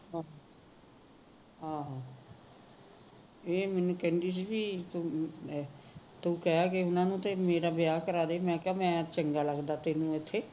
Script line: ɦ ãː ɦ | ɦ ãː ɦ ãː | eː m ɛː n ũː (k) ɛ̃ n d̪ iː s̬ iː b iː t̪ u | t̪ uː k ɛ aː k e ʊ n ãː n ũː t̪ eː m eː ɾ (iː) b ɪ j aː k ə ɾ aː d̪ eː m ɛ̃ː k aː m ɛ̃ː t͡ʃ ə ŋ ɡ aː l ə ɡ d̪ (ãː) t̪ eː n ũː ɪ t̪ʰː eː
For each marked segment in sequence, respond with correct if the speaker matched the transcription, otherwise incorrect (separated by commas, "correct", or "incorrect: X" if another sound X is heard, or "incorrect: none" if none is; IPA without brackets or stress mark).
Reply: correct, incorrect: aː, incorrect: aː